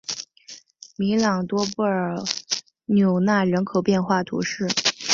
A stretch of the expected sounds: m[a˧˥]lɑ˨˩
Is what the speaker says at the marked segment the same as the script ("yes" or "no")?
no